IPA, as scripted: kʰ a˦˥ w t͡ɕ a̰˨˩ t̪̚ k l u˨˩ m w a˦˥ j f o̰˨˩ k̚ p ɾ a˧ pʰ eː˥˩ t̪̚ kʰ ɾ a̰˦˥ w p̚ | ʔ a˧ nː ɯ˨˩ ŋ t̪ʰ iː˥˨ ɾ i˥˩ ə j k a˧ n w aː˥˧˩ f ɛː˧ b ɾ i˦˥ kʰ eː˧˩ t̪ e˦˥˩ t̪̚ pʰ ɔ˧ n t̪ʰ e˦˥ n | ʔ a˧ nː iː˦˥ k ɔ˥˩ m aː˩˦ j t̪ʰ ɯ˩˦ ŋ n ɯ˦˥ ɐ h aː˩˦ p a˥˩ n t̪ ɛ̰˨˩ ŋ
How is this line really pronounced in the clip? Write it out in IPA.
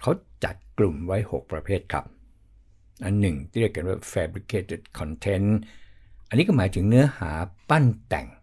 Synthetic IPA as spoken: kʰ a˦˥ w t͡ɕ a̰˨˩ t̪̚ k l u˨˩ m w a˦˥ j h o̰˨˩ k̚ p ɾ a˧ pʰ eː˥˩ t̪̚ kʰ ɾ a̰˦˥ p̚ | ʔ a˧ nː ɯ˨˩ ŋ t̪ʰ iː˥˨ ɾ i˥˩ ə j k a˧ n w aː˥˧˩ f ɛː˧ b ɾ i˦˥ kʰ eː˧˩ t̪ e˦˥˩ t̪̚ kʰ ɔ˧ n t̪ʰ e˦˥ n | ʔ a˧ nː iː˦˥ k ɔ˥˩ m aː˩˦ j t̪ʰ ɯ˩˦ ŋ n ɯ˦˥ ɐ h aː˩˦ p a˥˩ n t̪ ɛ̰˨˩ ŋ